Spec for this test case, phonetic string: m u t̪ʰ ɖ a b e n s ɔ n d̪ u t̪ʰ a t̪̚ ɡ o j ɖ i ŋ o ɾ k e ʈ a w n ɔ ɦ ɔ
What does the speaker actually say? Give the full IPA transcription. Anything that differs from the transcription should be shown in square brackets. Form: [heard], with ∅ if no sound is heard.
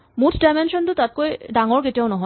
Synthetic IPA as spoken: m u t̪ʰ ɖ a [m] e n [ʃ] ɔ n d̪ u [t̪] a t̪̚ [k] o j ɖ [a] ŋ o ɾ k e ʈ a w n ɔ ɦ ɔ